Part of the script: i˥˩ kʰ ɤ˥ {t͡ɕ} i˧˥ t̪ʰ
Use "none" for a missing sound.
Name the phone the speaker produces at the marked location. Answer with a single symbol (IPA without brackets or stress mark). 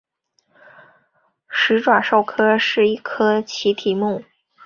t͡ɕʰ